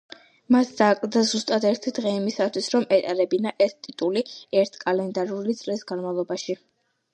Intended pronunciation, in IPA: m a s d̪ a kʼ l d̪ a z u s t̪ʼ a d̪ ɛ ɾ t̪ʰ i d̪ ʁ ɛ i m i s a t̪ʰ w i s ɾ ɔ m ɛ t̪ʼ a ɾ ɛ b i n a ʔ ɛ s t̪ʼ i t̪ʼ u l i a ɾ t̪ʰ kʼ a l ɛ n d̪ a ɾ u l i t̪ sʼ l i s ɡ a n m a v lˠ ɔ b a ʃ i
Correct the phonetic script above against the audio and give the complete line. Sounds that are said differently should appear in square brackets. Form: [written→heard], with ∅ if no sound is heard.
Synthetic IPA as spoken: m a s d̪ a kʼ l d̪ a z u s t̪ʼ a d̪ ɛ ɾ t̪ʰ i d̪ ʁ ɛ i m i s a t̪ʰ w i s ɾ ɔ m ɛ t̪ʼ a ɾ ɛ b i n a ʔ ɛ s t̪ʼ i t̪ʼ u l i [a→ɛ] ɾ t̪ʰ kʼ a l ɛ n d̪ a ɾ u l i t̪ sʼ l i s ɡ a n m a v lˠ ɔ b a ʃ i